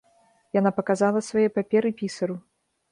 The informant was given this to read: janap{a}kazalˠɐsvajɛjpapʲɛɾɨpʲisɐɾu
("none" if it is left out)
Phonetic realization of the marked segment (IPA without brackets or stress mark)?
ɐ